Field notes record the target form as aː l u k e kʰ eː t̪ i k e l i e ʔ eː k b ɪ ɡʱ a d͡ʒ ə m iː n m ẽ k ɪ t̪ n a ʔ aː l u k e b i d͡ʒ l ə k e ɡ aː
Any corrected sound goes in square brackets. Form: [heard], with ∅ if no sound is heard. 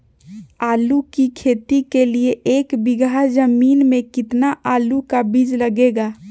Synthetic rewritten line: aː l u k [i] kʰ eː t̪ i k e l i e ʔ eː k b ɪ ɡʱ a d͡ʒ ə m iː n m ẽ k ɪ t̪ n a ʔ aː l u k [a] b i d͡ʒ l ə [ɡ] e ɡ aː